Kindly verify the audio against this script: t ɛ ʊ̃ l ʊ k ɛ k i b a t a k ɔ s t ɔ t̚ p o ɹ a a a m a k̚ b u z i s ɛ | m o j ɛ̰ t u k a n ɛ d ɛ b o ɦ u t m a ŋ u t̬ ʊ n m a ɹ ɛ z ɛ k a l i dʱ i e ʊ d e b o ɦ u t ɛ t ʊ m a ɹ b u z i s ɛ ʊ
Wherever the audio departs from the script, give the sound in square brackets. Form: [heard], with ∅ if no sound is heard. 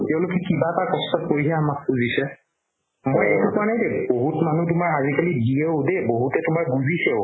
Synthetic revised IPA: t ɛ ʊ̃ l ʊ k ɛ k i b a t a k ɔ s t ɔ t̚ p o ɹ [i] a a m a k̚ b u z i s ɛ | m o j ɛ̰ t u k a n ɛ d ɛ b o ɦ u t m a [n] u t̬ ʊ [∅] m a ɹ [a] z [i] k a l i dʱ i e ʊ d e b o ɦ u t ɛ t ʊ m a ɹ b u z i s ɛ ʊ